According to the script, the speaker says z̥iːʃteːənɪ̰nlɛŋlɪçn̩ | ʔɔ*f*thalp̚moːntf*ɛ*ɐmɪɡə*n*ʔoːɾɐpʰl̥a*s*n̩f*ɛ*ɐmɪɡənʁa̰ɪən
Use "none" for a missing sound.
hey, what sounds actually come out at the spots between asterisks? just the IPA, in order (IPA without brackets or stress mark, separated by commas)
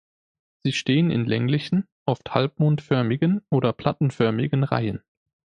f, œ, n, t, œ